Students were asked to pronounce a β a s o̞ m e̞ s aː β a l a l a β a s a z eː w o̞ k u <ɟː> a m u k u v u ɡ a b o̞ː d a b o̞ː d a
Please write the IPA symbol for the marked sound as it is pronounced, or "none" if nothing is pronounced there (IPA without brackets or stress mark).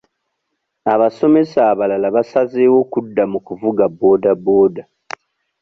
dː